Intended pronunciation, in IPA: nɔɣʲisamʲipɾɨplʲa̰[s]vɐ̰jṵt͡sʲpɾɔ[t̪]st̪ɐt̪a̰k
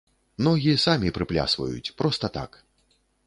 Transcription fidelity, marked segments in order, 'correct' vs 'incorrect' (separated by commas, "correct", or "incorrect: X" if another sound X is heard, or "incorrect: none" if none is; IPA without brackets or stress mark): correct, incorrect: none